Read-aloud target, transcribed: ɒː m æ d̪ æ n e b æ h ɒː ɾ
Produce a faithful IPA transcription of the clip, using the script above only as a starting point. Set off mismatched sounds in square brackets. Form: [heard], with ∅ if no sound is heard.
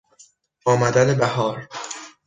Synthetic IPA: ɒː m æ d̪ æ n e b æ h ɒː ɾ